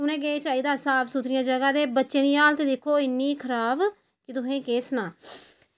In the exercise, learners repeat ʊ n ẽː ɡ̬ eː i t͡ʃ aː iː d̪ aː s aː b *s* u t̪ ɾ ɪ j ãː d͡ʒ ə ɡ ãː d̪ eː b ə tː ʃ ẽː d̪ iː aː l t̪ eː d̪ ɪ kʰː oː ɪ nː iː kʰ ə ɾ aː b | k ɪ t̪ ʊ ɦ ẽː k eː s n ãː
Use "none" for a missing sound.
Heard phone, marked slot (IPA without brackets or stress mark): s